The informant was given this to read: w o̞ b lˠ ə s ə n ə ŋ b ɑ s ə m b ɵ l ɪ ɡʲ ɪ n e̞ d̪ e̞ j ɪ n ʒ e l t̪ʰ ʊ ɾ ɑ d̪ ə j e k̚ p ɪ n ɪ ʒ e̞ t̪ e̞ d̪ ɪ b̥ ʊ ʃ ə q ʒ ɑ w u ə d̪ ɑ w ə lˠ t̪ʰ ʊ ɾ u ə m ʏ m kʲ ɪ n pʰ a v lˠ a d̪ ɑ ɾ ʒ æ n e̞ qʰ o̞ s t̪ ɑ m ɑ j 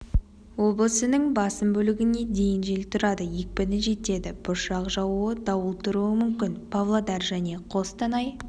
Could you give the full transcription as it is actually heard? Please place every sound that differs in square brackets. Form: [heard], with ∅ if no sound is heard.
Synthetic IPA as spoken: w o̞ b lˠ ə s ə n ə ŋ b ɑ s ə m b ɵ l ɪ ɡʲ ɪ n e̞ d̪ e̞ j ɪ n ʒ e l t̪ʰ ʊ ɾ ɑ d̪ ə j e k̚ p ɪ n ɪ ʒ e̞ t̪ e̞ d̪ ɪ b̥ ʊ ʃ [ɑ] q ʒ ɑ w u ə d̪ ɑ w ə lˠ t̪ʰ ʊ ɾ u ə m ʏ m kʲ ɪ n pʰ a v lˠ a d̪ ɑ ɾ ʒ æ n e̞ qʰ o̞ s t̪ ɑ [n] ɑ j

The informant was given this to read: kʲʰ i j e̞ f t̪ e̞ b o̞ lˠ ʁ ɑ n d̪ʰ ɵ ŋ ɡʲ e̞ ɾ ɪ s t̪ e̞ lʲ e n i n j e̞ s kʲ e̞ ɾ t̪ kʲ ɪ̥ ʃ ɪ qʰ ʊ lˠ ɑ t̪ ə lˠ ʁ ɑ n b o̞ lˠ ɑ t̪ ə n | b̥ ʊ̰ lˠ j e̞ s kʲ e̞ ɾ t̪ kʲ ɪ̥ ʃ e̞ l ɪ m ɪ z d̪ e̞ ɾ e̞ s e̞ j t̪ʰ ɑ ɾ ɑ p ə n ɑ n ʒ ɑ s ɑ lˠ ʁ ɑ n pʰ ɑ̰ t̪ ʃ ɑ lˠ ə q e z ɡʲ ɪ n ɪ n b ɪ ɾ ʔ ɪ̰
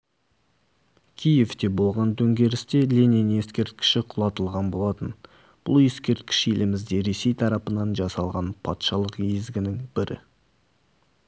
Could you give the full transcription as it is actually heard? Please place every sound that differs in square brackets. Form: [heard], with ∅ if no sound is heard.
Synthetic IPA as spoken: kʲʰ i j e̞ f t̪ e̞ b o̞ lˠ ʁ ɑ n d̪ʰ ɵ ŋ ɡʲ e̞ ɾ ɪ s t̪ e̞ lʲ e n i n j e̞ s kʲ e̞ ɾ t̪ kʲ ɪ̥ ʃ ɪ qʰ ʊ lˠ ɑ t̪ ə lˠ ʁ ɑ n b o̞ lˠ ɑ t̪ ə n | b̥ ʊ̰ lˠ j e̞ s kʲ e̞ ɾ t̪ kʲ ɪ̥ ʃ e̞ l ɪ m ɪ z d̪ e̞ ɾ e̞ s e̞ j t̪ʰ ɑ ɾ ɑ p ə n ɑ n ʒ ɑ s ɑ lˠ ʁ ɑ n pʰ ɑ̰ t̪ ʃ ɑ lˠ ə q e z ɡʲ ɪ n ɪ [ŋ] b ɪ ɾ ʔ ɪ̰

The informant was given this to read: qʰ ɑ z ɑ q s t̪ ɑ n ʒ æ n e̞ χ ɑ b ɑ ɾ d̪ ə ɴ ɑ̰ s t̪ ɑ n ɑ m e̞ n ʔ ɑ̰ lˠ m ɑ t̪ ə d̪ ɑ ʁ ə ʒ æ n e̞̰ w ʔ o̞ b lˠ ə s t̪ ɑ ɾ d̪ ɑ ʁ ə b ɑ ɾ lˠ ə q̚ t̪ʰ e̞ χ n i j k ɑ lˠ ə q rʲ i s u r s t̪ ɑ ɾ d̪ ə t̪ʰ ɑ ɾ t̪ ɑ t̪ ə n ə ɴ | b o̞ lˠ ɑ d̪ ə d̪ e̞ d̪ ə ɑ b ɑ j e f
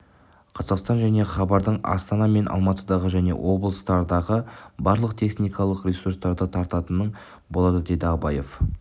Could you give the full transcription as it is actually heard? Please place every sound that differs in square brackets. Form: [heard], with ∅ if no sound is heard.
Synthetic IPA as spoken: qʰ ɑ z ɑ q s t̪ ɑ n ʒ æ n e̞ χ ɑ b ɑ ɾ d̪ ə ɴ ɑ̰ s t̪ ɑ n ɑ m e̞ n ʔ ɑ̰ lˠ m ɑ t̪ ə d̪ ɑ ʁ ə ʒ æ n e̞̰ w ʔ o̞ b lˠ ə s t̪ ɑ ɾ d̪ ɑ ʁ ə b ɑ ɾ lˠ ə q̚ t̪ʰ e̞ χ n i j k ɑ lˠ ə q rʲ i s u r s t̪ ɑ ɾ d̪ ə t̪ʰ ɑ ɾ t̪ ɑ t̪ ə n ə ɴ | b o̞ lˠ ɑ d̪ ə d̪ e̞ d̪ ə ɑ b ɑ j e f

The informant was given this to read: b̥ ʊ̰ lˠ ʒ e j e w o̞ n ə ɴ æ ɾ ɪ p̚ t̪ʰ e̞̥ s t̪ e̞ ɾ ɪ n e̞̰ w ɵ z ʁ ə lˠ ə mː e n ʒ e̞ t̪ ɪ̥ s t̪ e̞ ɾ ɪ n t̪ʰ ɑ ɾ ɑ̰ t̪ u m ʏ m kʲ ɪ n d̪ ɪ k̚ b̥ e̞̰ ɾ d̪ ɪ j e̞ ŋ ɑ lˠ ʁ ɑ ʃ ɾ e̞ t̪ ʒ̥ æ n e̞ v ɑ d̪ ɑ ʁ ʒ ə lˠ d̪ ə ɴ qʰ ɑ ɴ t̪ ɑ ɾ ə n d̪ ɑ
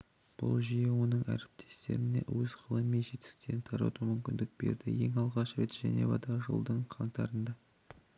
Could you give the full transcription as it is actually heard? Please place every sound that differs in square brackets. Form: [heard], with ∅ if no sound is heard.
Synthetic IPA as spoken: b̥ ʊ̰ lˠ ʒ [i] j e w o̞ n ə ɴ æ ɾ ɪ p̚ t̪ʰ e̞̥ s t̪ e̞ ɾ ɪ n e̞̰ w ɵ z ʁ ə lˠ ə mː e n ʒ e̞ t̪ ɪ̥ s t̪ e̞ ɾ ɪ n t̪ʰ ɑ ɾ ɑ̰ t̪ u m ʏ m kʲ ɪ n d̪ ɪ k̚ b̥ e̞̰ ɾ d̪ ɪ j e̞ ŋ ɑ lˠ ʁ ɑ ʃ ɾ e̞ t̪ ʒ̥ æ n e̞ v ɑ d̪ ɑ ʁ ʒ ə lˠ d̪ ə ɴ qʰ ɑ ɴ t̪ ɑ ɾ ə n d̪ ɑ

